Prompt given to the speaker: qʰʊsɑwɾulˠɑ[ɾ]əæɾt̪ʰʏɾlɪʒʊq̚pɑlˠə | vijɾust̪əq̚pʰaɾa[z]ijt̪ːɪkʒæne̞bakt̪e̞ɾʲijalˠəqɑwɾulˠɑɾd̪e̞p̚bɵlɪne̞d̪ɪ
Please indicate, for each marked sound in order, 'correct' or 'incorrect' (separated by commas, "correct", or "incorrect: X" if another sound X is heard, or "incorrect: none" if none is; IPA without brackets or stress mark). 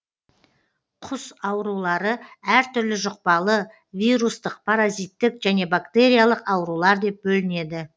correct, correct